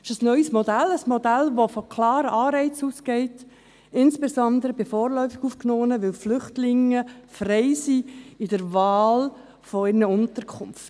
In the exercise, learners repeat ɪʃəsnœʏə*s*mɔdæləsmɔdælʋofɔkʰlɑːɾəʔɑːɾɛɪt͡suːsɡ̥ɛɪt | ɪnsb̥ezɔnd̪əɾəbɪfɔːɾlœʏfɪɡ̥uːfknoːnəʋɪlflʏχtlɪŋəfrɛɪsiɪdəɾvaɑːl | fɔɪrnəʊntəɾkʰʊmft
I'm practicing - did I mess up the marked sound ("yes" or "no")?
no